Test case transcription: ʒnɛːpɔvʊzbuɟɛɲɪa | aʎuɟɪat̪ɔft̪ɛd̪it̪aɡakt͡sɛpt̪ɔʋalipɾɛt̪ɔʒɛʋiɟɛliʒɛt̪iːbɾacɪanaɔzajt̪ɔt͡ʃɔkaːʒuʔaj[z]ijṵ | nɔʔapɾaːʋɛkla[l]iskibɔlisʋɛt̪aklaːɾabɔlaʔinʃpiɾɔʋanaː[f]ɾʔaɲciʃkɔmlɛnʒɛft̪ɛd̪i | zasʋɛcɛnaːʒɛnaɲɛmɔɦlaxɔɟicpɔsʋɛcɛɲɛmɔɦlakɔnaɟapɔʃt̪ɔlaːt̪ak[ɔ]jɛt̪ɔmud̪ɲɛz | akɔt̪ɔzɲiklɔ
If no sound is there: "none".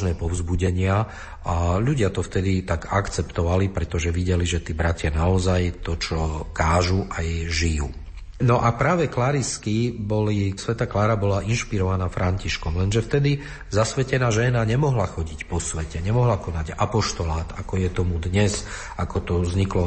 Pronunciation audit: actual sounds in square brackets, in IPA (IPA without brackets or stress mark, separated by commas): ʒ, ɾ, f, ɔ